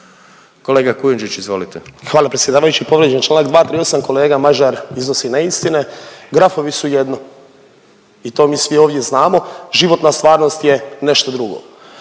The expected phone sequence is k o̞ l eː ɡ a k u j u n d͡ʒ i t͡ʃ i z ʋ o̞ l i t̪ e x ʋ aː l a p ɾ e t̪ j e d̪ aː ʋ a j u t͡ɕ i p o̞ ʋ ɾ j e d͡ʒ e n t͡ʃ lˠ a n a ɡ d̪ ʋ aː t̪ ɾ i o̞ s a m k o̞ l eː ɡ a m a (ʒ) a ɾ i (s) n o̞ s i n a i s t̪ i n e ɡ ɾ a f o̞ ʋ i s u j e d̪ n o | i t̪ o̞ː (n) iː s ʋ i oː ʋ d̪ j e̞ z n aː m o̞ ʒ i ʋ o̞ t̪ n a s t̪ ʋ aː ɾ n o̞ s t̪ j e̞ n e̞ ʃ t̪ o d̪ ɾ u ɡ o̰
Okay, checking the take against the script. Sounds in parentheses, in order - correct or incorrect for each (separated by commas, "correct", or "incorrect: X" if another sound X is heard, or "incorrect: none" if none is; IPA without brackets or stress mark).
correct, incorrect: z, incorrect: m